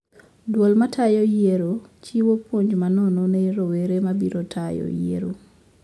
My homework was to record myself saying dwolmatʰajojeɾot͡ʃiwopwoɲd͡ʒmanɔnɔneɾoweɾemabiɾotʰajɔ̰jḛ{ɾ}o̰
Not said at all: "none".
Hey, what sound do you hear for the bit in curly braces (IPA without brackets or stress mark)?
ɾ